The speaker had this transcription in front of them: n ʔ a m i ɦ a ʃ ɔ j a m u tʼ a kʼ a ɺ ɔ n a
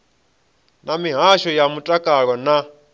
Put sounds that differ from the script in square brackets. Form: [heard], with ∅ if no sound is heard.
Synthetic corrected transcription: n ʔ a m i ɦ a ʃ ɔ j a m u tʼ a kʼ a ɺ ɔ n a